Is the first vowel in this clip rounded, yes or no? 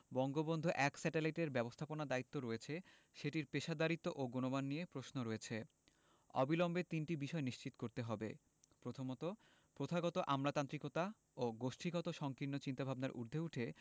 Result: yes